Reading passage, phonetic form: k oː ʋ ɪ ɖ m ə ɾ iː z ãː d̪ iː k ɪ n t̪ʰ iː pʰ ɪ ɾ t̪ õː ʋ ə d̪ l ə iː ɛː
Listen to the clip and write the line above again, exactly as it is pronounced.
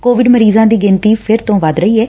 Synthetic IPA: k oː ʋ ɪ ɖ m ə ɾ iː z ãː d̪ iː ɡ ɪ n t̪ iː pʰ ɪ ɾ t̪ õː ʋ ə d̪ ɾ ə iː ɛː